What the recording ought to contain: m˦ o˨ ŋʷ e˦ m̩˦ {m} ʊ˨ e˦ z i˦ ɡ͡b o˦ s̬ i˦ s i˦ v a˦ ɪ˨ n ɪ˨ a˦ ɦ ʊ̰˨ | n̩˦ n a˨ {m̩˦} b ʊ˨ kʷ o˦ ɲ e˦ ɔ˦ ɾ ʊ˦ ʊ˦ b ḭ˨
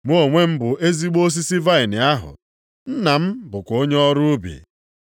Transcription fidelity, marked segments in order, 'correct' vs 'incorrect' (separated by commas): incorrect, correct